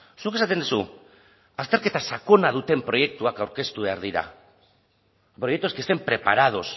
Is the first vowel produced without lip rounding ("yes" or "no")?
no